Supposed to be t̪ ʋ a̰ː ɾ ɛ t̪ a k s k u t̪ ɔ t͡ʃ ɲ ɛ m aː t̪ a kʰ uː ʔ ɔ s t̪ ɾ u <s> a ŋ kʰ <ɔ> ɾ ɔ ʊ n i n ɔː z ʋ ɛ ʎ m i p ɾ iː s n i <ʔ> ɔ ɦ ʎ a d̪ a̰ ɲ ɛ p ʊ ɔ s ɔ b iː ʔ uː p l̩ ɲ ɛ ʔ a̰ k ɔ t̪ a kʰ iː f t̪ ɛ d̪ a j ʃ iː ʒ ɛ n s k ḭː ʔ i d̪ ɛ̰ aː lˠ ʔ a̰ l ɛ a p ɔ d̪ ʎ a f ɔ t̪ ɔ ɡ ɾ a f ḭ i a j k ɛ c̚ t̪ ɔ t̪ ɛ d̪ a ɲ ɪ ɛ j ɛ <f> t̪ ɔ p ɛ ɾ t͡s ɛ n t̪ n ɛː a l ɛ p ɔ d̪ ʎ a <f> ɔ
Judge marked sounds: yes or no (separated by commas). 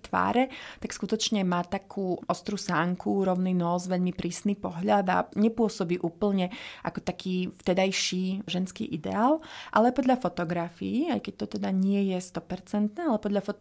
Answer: yes, no, no, no, yes